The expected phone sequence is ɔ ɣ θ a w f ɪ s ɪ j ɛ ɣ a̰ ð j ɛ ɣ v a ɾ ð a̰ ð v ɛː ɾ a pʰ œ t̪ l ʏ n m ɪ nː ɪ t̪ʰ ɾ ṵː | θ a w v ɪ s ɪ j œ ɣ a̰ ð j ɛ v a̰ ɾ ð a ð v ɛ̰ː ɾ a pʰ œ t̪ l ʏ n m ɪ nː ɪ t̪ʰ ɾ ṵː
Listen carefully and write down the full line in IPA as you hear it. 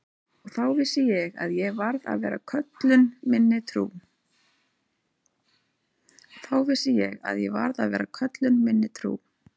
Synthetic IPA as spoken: ɔ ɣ θ a w v ɪ s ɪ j ɛ ɣ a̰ ð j ɛ ɣ v a ɾ ð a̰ ð v ɛː ɾ a kʰ œ t̪ l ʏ n m ɪ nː ɪ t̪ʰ ɾ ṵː | θ a w v ɪ s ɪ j ɛ ɣ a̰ ð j ɛ v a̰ ɾ ð a ð v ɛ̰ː ɾ a kʰ œ t̪ l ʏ n m ɪ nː ɪ t̪ʰ ɾ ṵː

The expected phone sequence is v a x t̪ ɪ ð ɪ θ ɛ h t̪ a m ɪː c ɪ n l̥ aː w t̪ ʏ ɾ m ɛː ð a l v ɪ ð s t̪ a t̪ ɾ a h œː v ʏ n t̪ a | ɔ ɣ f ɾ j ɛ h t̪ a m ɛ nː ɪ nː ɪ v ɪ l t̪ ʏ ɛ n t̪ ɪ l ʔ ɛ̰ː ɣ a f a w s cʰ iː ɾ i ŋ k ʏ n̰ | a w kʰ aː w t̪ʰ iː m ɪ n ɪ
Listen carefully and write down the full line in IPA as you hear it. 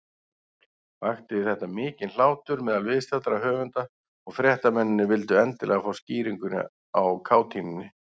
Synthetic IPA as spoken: v a x t̪ ɪ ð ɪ θ ɛ h t̪ a m ɪː c ɪ n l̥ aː w t̪ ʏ ɾ m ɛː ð a l v ɪ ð s t̪ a t̪ ɾ a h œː v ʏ n t̪ a | ɔ ɣ f ɾ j ɛ h t̪ a m ɛ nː ɪ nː ɪ v ɪ l t̪ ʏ ɛ n t̪ ɪ l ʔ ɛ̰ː ɣ a f a w s c iː ɾ i ŋ k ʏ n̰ | a w kʰ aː w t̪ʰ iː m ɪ n ɪ

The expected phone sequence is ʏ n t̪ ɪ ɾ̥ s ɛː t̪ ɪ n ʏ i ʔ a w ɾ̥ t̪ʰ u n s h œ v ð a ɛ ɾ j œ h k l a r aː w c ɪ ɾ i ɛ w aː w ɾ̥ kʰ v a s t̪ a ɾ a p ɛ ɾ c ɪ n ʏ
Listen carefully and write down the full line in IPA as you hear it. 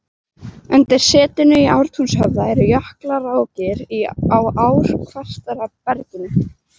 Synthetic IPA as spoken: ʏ n t̪ ɪ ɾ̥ s ɛː t̪ ɪ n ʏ i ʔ a w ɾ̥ t̪ʰ u n s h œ v ð a ɛ ɾ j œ h k l a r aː w c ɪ ɾ i a w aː w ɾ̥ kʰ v a s t̪ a ɾ a p ɛ ɾ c ɪ n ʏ

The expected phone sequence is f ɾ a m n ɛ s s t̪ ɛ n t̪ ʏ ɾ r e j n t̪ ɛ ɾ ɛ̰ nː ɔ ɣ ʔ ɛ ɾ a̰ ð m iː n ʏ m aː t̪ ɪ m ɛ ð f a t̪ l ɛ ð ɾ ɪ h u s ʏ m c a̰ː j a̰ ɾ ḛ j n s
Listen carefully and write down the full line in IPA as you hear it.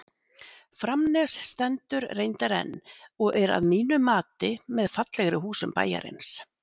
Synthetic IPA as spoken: f ɾ a m n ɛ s s t̪ ɛ n t̪ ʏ ɾ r e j n t̪ a ɾ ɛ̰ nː ɔ ɣ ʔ ɛ ɾ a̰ ð m iː n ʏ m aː t̪ ɪ m ɛ ð f a t̪ l ɛ ɣ ɾ ɪ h uː s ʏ m p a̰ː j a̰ ɾ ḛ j n s

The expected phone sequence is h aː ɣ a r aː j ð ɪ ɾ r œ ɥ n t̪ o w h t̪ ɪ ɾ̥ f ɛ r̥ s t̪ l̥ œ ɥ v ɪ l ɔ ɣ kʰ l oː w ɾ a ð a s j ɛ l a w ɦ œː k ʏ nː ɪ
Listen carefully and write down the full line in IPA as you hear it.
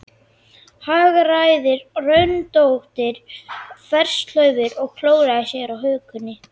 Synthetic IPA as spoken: h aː ɣ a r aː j ð ɪ ɾ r œ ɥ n t̪ o w h t̪ ɪ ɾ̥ f ɛ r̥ s t̪ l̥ œ ɥ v ɪ ɾ ɔ ɣ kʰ l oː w ɾ a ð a s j ɛ ɾ a w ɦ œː k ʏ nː ɪ

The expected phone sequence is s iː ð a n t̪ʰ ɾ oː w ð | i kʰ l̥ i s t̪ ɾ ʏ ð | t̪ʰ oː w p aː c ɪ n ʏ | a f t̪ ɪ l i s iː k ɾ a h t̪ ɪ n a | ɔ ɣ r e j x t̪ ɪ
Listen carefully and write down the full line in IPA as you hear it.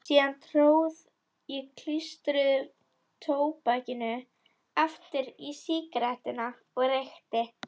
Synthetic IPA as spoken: s iː ð a n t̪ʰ ɾ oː w ð | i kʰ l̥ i s t̪ ɾ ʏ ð | t̪ʰ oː w p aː c ɪ n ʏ | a f t̪ ɪ ɾ i s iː k ɾ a h t̪ ɪ n a | ɔ ɣ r e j x t̪ ɪ

